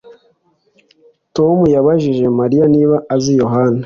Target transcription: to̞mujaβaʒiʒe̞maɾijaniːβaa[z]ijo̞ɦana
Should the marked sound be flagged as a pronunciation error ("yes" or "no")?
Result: no